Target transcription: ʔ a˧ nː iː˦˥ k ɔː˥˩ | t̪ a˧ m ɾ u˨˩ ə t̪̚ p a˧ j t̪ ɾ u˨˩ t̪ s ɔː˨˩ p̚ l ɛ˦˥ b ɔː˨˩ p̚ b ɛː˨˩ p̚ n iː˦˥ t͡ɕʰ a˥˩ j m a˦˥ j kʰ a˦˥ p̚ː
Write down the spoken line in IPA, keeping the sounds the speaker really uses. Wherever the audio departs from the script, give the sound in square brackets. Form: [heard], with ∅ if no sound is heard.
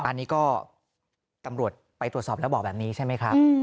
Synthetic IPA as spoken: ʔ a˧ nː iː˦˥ k ɔː˥˩ | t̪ a˧ m ɾ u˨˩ ə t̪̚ p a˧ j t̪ ɾ u˨˩ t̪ s ɔː˨˩ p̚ l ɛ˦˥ b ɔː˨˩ [k̚] b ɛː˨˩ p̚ n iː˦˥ t͡ɕʰ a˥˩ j m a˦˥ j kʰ a˦˥ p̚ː